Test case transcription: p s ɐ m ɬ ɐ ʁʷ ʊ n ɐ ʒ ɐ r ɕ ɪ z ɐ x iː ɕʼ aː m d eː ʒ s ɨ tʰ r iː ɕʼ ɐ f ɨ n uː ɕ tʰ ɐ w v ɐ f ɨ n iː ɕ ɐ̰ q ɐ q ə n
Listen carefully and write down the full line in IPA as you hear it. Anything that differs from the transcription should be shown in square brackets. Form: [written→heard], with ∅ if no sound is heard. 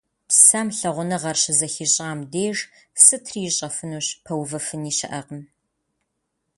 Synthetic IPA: p s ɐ m ɬ ɐ ʁʷ ʊ n ɐ [ʒ→ʁ] ɐ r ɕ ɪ z ɐ x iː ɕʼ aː m d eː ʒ s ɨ tʰ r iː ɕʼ ɐ f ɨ n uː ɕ [tʰ→pʰ] ɐ w v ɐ f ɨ n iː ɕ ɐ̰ [q→ʔ] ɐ q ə [n→m]